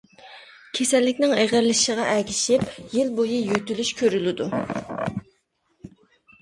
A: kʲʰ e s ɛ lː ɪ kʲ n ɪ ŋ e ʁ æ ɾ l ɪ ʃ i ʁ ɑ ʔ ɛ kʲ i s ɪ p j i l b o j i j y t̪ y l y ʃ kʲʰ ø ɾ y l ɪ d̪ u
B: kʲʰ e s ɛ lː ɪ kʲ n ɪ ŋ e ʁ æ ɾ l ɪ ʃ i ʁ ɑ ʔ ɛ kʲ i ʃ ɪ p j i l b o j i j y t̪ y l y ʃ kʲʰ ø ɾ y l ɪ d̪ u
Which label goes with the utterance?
B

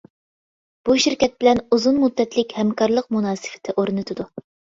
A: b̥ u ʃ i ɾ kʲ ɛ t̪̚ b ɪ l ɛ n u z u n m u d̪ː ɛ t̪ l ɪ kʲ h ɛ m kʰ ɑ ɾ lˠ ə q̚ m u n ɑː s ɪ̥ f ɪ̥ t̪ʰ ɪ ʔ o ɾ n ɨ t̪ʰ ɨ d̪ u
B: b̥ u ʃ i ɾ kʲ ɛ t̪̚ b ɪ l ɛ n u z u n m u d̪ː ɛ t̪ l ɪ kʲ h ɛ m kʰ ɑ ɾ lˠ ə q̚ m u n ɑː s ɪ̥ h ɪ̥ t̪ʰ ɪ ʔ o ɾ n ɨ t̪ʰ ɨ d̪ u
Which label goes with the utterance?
A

